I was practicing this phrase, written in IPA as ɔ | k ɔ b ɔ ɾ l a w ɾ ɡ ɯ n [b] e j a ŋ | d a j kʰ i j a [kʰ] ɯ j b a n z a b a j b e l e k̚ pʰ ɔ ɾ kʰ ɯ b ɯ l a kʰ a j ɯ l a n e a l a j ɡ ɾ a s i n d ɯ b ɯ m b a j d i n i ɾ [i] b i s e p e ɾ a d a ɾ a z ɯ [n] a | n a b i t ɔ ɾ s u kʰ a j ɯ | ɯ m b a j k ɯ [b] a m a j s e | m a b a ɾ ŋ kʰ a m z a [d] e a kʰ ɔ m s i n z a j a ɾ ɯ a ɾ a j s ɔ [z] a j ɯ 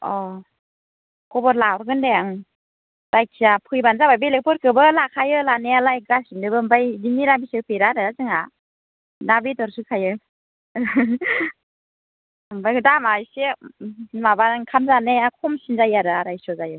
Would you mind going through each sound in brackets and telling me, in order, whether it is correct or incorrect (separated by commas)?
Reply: incorrect, incorrect, incorrect, incorrect, incorrect, incorrect, correct